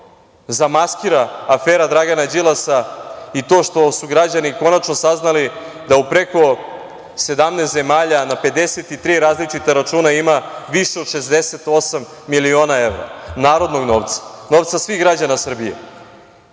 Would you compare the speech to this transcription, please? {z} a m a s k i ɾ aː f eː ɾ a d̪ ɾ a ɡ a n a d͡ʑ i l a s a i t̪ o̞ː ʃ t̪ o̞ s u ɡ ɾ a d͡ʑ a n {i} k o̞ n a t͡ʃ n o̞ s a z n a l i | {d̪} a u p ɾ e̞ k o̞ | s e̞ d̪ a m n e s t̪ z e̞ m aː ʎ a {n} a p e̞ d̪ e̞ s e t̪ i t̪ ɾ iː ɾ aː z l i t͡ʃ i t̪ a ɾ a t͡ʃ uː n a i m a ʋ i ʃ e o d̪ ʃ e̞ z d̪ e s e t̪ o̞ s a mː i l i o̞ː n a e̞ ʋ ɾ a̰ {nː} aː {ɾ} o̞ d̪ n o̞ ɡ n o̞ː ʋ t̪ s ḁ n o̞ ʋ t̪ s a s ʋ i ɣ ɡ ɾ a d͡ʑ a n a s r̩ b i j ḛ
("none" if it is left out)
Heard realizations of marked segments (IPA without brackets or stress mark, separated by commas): z, i, d̪, n, n, ɾ